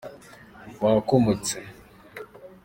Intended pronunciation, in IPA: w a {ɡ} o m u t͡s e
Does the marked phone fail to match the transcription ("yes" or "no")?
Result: yes